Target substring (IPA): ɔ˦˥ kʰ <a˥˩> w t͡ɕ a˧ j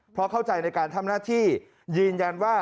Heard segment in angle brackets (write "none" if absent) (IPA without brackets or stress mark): a˥˩